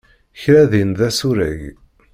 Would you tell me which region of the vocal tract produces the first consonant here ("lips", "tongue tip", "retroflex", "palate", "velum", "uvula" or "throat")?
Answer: palate